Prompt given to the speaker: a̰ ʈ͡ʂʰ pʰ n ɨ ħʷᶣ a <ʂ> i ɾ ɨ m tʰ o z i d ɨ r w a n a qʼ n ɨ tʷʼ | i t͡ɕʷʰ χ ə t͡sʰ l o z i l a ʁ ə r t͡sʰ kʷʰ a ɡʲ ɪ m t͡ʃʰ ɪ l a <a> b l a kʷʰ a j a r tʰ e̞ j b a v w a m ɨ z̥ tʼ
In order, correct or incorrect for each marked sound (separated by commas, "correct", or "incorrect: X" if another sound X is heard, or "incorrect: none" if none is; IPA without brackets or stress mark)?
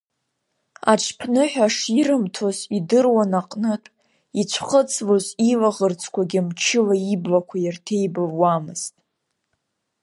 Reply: correct, incorrect: i